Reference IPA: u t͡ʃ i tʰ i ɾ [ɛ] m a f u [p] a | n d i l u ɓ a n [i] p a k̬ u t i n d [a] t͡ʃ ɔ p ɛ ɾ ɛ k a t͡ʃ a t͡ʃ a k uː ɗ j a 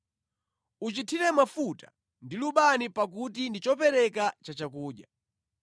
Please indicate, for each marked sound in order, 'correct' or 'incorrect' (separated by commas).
correct, incorrect, correct, incorrect